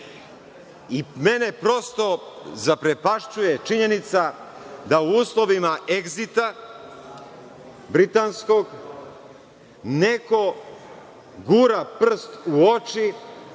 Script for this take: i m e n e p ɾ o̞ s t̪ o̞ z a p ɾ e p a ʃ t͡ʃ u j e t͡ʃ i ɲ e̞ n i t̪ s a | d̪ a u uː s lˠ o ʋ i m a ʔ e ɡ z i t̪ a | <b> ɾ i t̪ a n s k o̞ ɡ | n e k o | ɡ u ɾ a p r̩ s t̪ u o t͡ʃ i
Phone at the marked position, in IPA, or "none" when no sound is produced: b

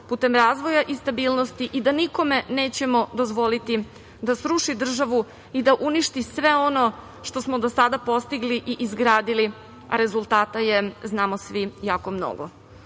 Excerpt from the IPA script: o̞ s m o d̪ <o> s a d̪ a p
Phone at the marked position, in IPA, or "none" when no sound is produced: o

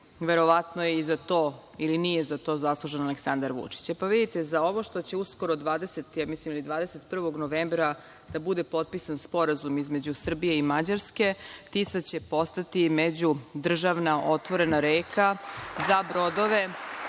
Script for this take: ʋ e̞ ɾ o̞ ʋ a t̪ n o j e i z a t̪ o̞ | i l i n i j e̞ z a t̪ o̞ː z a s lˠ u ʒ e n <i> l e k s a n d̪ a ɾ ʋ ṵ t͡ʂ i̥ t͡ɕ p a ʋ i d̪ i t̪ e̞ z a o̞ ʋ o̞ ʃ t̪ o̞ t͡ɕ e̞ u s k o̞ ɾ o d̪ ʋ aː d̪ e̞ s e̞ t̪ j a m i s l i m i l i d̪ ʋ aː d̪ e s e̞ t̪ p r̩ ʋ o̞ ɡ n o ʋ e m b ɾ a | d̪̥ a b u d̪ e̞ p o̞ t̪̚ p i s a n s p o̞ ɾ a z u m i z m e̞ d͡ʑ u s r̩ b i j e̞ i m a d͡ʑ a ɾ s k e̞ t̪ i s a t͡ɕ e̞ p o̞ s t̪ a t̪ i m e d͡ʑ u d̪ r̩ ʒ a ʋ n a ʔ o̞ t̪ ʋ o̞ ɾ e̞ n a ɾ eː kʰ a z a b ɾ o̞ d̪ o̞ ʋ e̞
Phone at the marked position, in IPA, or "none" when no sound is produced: a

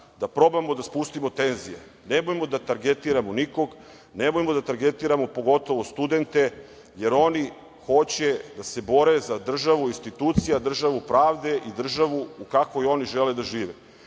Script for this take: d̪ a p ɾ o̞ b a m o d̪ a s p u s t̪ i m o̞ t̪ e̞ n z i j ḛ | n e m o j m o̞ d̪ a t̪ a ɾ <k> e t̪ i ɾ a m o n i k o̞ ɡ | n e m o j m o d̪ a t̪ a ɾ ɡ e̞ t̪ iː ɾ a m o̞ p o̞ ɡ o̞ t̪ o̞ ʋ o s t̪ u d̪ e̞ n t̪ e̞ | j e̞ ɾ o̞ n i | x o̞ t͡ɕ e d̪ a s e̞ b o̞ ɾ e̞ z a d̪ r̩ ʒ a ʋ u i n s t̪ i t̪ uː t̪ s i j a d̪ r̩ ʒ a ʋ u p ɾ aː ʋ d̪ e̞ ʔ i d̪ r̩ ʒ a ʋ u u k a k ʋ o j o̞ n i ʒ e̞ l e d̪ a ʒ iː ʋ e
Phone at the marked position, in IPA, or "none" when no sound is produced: ɡ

